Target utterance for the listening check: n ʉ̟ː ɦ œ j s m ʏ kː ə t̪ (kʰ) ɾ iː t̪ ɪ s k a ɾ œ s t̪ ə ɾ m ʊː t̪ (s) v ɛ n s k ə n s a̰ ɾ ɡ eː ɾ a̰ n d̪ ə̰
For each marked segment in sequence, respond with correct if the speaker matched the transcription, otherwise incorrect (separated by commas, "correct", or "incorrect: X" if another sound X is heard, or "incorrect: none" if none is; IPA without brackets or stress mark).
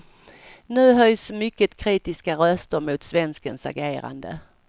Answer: correct, correct